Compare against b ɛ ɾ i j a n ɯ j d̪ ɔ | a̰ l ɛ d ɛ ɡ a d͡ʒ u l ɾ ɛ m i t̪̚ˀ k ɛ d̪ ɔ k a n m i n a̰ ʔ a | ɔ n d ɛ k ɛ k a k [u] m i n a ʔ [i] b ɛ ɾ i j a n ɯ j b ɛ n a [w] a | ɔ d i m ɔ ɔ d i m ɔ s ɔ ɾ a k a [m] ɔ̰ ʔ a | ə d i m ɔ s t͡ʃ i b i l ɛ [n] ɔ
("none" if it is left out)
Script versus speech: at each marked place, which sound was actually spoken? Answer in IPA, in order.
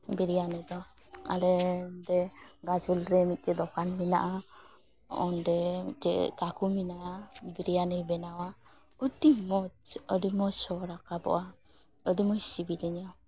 u, a, w, b, ɲ

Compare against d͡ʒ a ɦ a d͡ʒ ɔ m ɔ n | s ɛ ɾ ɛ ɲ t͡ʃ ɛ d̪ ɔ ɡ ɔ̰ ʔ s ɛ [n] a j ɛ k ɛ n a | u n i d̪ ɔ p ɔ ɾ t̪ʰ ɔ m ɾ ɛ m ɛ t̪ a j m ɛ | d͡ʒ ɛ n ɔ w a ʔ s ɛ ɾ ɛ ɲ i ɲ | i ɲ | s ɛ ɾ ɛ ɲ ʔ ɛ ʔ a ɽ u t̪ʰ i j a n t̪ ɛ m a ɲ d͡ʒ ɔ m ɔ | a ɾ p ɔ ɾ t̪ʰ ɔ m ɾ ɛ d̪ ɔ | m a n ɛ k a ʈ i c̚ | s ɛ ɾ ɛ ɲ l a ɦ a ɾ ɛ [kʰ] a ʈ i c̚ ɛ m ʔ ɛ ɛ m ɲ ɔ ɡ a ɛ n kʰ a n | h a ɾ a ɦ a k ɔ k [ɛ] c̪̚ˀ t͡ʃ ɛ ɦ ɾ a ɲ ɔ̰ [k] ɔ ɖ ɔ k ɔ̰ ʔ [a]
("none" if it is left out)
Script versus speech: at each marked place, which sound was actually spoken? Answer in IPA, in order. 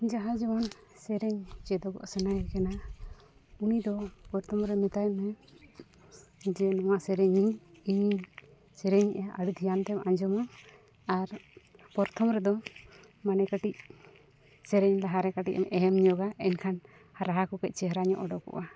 n, k, ɛ, ʔ, a

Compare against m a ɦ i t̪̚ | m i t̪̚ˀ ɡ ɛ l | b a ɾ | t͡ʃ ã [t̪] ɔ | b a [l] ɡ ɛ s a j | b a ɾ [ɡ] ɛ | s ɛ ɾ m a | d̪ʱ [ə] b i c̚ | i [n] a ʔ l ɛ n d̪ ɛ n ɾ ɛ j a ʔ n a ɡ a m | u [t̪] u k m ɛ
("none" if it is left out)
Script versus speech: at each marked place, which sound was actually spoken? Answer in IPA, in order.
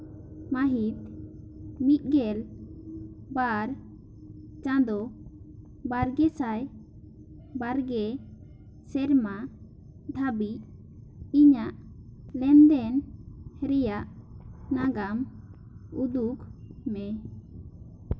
d̪, ɾ, ɡ, a, ɲ, d̪

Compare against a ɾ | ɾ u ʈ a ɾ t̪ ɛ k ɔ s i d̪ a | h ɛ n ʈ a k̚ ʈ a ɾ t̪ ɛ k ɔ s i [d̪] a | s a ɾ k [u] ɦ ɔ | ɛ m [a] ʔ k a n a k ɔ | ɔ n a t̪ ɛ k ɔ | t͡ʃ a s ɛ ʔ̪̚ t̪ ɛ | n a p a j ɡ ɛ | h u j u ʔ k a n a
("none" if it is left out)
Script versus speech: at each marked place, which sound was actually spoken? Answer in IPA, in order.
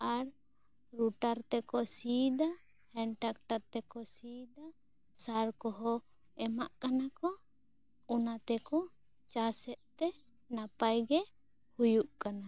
d̪, ɔ, a

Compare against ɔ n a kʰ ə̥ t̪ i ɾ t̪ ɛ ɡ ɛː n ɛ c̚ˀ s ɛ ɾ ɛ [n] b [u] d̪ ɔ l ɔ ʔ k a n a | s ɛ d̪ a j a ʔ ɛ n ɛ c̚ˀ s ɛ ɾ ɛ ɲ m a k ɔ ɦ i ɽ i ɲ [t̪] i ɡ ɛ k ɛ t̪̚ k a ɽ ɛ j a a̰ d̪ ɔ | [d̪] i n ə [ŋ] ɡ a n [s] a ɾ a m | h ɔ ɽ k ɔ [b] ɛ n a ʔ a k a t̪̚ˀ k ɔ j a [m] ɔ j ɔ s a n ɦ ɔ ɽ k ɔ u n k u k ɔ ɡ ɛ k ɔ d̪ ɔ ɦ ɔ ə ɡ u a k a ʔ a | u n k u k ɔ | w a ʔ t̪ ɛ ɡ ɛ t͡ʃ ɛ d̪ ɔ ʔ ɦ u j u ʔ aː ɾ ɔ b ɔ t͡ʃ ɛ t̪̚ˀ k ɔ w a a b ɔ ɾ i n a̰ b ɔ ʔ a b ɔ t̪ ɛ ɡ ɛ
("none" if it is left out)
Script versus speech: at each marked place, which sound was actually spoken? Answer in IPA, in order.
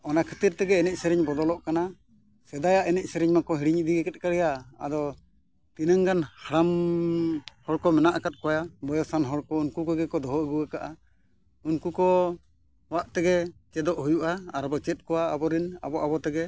ɲ, ɔ, d̪, t̪, ŋ, h, m, b

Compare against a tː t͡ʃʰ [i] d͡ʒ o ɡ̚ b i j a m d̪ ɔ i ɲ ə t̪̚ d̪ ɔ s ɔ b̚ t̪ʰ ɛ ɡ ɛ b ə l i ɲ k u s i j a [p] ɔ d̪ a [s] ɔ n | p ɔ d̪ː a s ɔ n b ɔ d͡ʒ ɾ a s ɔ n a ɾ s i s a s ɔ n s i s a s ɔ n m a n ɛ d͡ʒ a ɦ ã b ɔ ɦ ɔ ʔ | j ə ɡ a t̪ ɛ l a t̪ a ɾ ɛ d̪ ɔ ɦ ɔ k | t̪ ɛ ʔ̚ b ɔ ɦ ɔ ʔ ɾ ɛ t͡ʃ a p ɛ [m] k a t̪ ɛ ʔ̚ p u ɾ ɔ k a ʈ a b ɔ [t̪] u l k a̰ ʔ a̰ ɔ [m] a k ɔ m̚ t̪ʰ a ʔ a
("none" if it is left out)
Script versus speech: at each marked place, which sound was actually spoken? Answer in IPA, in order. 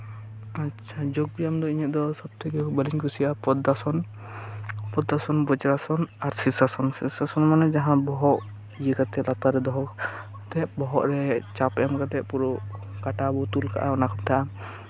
a, p, s, m, t̪, n

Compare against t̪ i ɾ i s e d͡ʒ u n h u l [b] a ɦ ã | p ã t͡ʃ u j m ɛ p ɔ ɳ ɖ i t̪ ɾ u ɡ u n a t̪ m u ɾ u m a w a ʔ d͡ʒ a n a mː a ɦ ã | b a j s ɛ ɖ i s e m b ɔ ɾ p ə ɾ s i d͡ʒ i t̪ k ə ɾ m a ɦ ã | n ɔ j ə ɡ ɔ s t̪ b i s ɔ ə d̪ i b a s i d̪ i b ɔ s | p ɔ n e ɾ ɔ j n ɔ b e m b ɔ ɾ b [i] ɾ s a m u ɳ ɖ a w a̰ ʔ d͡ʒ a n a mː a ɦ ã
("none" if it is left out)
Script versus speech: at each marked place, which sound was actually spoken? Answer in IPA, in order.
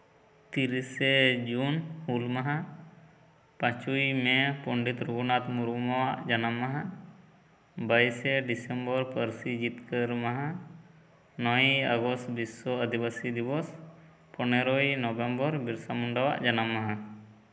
m, i

